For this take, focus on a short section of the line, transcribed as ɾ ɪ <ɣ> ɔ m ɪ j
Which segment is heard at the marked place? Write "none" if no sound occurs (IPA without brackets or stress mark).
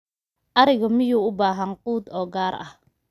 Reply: ɣ